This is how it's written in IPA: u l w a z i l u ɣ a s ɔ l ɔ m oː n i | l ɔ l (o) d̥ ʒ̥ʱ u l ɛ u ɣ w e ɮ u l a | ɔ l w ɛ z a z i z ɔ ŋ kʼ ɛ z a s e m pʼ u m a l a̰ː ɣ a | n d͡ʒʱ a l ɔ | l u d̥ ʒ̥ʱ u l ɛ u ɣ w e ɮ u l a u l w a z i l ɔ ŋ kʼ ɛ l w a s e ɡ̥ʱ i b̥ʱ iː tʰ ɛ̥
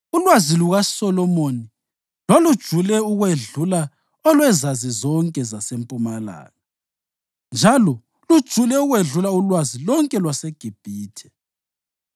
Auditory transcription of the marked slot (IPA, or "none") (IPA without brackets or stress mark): u